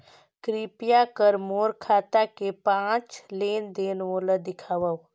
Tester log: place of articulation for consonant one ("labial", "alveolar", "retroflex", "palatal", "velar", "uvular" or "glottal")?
velar